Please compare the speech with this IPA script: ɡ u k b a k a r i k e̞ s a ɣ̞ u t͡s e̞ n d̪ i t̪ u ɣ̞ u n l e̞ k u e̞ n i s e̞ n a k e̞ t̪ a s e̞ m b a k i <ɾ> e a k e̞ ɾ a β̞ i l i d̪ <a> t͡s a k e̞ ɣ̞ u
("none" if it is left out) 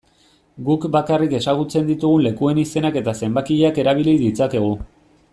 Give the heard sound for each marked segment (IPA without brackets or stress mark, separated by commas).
ʎ, i